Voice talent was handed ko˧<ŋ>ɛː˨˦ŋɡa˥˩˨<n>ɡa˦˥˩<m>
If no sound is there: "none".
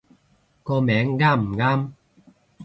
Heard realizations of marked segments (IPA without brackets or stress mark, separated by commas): m, m, m